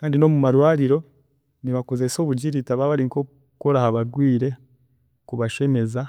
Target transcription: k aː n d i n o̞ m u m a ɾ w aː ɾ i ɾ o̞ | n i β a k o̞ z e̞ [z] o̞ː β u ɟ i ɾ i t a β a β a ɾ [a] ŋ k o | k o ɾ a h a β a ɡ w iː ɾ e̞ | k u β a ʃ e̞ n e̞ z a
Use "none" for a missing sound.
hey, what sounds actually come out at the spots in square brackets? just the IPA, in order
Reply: s, i

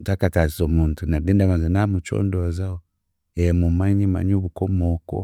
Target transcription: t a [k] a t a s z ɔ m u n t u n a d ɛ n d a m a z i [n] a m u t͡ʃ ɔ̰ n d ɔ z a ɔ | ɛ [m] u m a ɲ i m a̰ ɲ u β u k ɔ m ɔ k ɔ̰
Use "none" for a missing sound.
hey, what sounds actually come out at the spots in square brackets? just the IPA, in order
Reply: k, n, m

